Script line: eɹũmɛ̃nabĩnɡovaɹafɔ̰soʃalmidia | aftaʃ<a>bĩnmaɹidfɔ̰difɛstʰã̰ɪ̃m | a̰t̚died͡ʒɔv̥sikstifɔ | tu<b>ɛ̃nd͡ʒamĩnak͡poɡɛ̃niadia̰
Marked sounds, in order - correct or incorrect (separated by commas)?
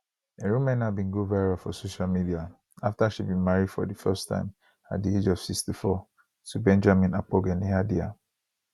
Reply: incorrect, correct